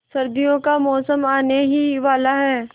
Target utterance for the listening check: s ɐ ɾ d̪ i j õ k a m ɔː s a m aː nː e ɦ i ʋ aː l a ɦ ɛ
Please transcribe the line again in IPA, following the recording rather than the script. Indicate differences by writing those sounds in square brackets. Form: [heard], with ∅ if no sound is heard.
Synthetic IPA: s ɐ ɾ d̪ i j õ k a m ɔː s [ə] m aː [n] e ɦ i ʋ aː l a ɦ [ɛː]